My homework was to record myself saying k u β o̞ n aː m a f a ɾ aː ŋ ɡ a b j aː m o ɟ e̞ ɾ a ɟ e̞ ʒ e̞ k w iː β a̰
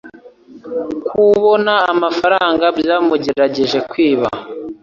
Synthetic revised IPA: k u β o̞ n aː m a f a ɾ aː ŋ ɡ a b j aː m u ɟ e̞ ɾ a ɟ e̞ ʒ e̞ k w iː β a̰

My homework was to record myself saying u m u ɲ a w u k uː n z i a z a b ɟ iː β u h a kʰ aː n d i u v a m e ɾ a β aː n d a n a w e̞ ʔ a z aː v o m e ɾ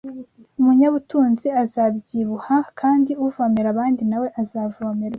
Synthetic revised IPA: u m u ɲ a β u t uː n z i a z a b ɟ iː β u h a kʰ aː n d i u v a m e ɾ a β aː n d i n a w e̞ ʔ a z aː v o m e ɾ

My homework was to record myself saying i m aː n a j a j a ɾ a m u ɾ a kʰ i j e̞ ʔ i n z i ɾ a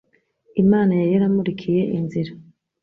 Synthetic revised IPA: i m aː n a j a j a ɾ a m u ɾ i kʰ i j e̞ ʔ i n z i ɾ a

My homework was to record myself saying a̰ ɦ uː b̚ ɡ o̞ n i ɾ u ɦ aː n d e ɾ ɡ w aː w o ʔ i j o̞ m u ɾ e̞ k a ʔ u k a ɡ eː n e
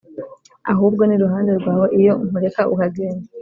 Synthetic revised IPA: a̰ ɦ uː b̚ ɡ o̞ n i ɾ u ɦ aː n d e ɾ ɡ w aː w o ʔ i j o̞ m u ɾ e̞ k a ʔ u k a ɡ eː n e

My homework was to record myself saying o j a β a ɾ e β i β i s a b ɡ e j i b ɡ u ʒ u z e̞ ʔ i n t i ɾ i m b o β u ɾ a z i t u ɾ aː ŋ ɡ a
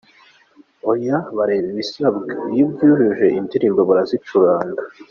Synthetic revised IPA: o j a β a ɾ e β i β i s a b ɡ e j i b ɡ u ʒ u ʒ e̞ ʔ i n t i ɾ i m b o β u ɾ a z i t͡ʃ u ɾ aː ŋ ɡ a

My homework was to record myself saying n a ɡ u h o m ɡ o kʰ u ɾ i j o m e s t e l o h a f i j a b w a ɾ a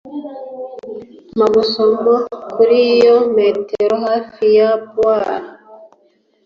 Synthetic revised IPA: m a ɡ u s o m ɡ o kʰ u ɾ i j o m e t e ɾ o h a f i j a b w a ɾ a

